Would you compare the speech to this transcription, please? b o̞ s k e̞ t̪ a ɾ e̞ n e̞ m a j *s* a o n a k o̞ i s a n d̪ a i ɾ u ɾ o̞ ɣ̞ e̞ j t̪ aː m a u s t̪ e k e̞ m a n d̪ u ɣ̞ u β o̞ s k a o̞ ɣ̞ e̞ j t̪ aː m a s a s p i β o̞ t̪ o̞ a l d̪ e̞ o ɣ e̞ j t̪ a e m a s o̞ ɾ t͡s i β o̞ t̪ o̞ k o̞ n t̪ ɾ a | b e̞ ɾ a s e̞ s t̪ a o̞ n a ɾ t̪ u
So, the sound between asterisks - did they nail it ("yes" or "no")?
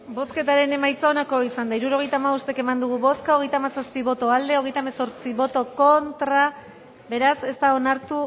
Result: no